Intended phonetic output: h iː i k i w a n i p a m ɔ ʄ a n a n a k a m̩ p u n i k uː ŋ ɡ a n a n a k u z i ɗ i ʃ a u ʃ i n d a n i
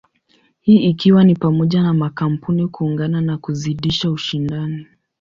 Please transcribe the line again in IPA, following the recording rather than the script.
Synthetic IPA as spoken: h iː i k i w a n i p a m ɔ ʄ a n a m a k a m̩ p u n i k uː ŋ ɡ a n a n a k u z i ɗ i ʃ a u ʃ i n d a n i